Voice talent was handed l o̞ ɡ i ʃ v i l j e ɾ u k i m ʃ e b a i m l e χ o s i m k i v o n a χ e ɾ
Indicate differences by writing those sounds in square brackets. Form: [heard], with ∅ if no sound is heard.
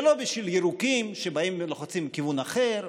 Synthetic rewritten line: l o̞ [b] i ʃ v i l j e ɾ u k i m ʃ e b a i m l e χ o [t͡s] i m k i v [u] n a χ e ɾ